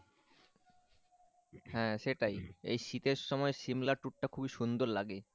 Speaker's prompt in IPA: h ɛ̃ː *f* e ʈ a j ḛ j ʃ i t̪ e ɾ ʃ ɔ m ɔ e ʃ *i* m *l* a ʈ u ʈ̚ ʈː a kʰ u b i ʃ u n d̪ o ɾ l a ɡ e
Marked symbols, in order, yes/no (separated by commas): no, yes, yes